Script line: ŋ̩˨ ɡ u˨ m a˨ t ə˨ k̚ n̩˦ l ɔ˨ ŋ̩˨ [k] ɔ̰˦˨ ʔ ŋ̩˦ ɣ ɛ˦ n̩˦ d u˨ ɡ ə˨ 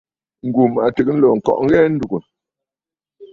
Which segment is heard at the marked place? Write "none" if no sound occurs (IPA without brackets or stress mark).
k